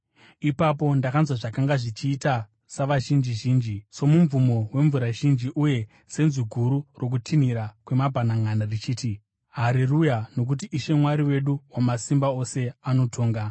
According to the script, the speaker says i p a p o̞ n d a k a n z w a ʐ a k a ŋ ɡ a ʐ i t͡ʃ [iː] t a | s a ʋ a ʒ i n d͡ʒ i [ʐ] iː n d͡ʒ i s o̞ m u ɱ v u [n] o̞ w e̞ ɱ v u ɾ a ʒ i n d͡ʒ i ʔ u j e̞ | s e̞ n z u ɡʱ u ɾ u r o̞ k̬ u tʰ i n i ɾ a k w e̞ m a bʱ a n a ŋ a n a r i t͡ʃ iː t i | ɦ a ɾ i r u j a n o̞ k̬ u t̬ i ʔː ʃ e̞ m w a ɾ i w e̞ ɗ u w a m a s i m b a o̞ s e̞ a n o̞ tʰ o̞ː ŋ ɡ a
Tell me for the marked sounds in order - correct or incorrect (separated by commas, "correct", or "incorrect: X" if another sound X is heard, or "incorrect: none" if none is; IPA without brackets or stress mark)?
correct, incorrect: ʒ, incorrect: m